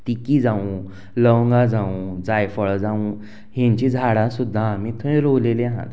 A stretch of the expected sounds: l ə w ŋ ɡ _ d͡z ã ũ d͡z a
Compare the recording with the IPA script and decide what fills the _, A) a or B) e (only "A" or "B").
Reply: A